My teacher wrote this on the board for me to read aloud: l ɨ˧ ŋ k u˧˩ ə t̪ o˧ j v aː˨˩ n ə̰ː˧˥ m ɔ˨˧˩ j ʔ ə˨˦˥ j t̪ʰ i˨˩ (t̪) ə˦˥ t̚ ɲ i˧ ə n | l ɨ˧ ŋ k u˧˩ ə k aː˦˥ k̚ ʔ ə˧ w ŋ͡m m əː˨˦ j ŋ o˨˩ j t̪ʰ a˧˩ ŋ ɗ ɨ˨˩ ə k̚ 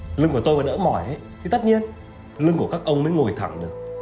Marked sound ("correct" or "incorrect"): correct